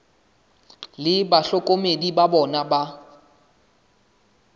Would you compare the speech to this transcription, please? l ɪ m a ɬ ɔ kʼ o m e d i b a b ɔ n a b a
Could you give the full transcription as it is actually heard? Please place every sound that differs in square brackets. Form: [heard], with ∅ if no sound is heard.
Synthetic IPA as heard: l ɪ [b] a ɬ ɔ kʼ o m e d i b a b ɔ n a b a